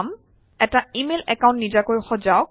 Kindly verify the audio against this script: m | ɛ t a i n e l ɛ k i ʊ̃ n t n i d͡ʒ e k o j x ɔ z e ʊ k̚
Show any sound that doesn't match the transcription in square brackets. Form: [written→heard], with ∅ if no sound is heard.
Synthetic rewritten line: m | ɛ t a i [n→m] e l ɛ k [i→a] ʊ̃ n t n i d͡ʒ [e→a] k o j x ɔ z [e→a] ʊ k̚